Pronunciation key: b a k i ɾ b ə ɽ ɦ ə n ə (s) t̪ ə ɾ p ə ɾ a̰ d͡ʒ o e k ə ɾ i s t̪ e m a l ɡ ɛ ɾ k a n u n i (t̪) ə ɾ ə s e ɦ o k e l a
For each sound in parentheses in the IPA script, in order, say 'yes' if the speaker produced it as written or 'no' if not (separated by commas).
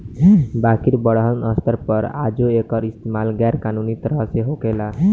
yes, yes